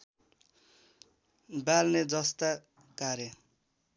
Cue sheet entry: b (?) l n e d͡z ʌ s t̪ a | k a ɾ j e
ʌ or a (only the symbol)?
a